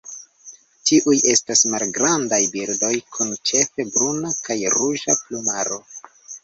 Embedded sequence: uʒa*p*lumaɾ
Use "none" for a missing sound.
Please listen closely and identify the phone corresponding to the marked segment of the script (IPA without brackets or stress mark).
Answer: p